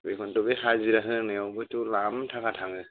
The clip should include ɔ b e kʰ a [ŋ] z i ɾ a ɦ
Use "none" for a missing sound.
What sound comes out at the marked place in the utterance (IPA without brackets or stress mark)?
none